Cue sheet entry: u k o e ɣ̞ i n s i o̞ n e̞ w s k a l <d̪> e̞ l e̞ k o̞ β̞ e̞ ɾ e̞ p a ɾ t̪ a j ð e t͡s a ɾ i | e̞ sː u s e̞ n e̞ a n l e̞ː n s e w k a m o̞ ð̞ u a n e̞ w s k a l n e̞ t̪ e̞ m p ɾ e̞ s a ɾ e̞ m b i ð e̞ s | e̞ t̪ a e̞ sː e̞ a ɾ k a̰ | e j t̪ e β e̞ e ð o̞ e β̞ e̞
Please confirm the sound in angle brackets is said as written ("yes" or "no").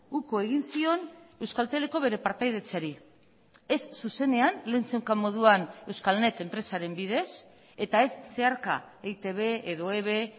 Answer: no